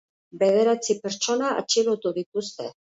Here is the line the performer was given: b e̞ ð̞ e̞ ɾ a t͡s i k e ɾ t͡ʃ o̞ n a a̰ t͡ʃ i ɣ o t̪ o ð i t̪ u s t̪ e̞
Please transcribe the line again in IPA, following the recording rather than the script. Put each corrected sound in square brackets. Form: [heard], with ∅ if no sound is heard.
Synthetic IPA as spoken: b e̞ ð̞ e̞ ɾ a t͡s i [p] e ɾ t͡ʃ o̞ n a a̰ t͡ʃ i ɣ o t̪ [u] ð i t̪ u s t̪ e̞